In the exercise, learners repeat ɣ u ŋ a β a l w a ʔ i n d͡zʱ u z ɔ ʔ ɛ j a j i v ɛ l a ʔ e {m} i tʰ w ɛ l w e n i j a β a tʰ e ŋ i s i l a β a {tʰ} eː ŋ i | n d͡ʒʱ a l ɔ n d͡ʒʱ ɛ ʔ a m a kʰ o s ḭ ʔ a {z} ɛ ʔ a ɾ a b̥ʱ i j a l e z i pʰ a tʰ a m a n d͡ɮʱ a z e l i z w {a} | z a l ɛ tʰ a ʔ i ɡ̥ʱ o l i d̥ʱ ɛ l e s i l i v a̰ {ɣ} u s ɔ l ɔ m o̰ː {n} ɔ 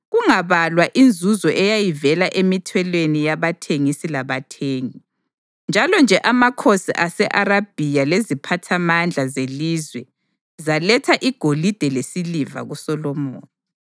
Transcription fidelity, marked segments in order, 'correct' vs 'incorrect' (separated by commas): correct, correct, incorrect, incorrect, correct, correct